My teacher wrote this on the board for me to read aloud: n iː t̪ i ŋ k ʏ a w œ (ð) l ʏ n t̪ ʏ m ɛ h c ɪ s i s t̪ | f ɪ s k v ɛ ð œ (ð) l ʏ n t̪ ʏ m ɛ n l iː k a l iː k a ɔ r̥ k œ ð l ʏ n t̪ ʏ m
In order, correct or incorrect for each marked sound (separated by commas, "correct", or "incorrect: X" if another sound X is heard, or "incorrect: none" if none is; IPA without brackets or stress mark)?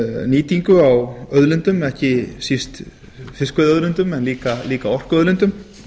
correct, correct